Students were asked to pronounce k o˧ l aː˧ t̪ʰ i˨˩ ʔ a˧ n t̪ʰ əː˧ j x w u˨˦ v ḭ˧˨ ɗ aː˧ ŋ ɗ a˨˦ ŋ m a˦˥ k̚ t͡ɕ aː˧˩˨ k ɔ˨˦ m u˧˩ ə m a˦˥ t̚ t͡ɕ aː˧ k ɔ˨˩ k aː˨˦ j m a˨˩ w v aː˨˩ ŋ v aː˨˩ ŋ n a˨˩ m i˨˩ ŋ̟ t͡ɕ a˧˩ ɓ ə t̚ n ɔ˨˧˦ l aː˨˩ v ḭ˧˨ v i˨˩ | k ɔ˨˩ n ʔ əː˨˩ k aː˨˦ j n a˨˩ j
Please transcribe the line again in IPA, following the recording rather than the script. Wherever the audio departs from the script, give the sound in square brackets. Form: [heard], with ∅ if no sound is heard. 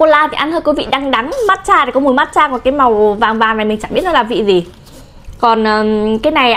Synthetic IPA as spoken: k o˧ l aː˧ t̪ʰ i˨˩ ʔ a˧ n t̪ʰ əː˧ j [k] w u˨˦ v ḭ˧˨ ɗ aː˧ ŋ ɗ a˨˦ ŋ m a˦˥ [t̚] t͡ɕ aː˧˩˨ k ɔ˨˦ m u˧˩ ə m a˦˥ t̚ t͡ɕ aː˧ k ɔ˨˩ k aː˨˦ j m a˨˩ w v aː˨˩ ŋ v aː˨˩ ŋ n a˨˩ m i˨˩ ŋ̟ t͡ɕ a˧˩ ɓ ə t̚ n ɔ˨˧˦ l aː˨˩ v ḭ˧˨ [z] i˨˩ | k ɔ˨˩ n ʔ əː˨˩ k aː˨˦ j n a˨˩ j